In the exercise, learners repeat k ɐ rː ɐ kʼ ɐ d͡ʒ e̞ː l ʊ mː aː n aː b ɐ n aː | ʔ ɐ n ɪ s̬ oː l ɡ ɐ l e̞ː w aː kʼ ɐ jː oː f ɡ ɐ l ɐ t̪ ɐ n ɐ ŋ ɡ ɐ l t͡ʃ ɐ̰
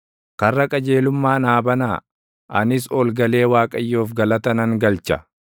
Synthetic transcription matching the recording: k ɐ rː ɐ kʼ ɐ d͡ʒ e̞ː l ʊ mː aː n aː b ɐ n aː | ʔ ɐ n ɪ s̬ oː l ɡ ɐ l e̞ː w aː kʼ ɐ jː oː f ɡ ɐ l ɐ t̪ ɐ n ɐ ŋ ɡ ɐ l t͡ʃ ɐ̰